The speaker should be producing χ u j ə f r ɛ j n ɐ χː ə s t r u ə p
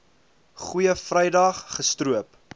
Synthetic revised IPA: χ u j ə f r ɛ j d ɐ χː ə s t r u ə p